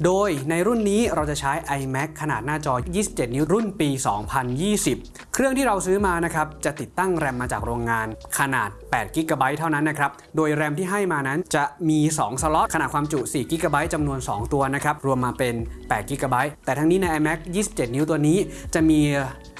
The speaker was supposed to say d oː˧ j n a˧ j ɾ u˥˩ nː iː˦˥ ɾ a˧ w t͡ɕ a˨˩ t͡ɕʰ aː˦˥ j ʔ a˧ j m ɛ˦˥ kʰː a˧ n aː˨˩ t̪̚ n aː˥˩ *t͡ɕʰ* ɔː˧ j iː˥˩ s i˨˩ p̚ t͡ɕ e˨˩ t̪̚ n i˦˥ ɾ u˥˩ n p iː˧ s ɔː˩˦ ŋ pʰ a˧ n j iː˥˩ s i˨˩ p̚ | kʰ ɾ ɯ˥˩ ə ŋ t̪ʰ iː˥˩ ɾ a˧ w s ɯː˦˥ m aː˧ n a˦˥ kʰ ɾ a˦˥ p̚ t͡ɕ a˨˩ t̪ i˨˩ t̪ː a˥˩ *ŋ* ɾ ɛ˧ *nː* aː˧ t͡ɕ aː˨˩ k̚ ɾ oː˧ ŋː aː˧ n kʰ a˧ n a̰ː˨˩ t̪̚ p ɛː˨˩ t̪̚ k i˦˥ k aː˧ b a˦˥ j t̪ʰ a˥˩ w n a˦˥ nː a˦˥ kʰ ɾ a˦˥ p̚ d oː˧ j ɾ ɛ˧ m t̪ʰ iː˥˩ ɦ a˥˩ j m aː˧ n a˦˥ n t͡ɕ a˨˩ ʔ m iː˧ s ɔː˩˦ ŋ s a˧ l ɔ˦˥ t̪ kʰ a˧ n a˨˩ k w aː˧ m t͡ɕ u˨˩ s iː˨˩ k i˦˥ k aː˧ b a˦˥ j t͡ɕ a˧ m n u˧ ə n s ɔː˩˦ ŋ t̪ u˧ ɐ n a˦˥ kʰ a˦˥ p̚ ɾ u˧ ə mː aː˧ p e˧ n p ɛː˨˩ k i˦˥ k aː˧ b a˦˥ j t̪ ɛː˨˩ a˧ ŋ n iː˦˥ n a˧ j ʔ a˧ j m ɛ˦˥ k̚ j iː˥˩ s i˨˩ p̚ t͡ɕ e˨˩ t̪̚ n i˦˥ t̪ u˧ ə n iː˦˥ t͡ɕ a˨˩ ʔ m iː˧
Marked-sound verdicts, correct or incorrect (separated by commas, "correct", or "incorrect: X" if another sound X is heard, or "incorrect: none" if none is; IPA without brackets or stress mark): incorrect: t͡ɕ, correct, incorrect: mː